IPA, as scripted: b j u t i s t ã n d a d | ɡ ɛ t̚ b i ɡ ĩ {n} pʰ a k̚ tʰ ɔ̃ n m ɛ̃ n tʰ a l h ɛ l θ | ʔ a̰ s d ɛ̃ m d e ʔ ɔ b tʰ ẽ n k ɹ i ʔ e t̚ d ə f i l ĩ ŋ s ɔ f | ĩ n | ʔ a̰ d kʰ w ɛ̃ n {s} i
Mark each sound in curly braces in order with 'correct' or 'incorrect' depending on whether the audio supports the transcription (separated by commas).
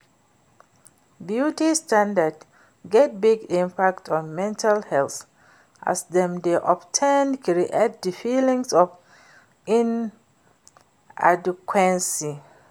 incorrect, correct